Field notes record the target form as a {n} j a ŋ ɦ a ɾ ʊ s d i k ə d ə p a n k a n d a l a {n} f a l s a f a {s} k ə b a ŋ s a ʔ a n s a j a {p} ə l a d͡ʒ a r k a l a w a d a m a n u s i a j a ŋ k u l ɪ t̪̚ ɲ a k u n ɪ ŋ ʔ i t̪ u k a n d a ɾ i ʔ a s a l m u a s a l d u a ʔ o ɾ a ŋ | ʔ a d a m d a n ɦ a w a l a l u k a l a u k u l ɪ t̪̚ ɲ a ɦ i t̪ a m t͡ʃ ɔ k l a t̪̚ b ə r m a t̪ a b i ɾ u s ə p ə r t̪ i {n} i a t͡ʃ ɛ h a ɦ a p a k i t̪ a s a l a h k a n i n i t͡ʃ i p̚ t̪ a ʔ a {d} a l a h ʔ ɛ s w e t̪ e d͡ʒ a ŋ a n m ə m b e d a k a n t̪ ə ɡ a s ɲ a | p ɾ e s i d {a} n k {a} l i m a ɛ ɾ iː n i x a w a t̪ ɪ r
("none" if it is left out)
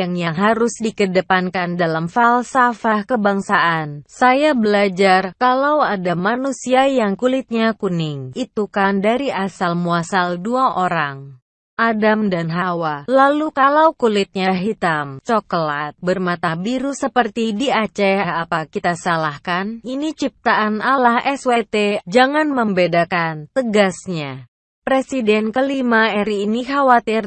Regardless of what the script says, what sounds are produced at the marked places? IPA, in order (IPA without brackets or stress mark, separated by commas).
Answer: ŋ, m, h, b, d, n, ɛ, ə